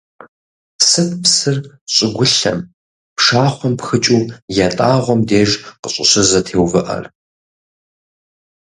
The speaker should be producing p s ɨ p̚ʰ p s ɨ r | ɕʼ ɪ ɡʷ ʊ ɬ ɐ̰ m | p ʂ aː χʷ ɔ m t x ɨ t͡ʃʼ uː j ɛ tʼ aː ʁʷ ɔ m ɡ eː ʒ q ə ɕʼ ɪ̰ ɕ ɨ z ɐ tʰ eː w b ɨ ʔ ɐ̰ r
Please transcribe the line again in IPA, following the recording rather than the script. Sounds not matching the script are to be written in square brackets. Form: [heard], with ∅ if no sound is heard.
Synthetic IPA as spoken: p s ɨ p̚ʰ p s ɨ r | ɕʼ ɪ ɡʷ ʊ ɬ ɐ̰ m | p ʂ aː χʷ ɔ m [p] x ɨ t͡ʃʼ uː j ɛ tʼ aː ʁʷ ɔ m [d] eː ʒ q ə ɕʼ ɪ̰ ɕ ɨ z ɐ tʰ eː w [v] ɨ ʔ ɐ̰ r